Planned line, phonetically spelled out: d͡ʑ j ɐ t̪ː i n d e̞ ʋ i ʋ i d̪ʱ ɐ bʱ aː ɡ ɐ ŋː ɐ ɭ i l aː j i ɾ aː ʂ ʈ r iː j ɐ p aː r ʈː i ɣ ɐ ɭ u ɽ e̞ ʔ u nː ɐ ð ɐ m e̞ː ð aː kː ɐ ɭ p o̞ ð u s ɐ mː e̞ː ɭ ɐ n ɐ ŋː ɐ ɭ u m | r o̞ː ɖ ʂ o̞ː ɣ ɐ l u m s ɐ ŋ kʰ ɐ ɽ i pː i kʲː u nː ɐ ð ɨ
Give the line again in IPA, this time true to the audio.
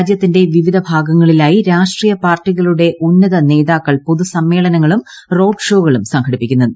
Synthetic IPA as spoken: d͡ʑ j ɐ t̪ː i n d e̞ ʋ i ʋ i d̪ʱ ɐ bʱ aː ɡ ɐ ŋː ɐ ɭ i l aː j i ɾ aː ʂ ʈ r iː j ɐ p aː r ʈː i ɣ ɐ ɭ u ɽ e̞ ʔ u nː ɐ ð ɐ n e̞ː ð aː kː ɐ ɭ p o̞ ð u s ɐ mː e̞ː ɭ ɐ n ɐ ŋː ɐ ɭ u m | r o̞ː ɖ ʂ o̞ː ɣ ɐ ɭ u m s ɐ ŋ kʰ ɐ ɽ i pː i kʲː u nː ɐ ð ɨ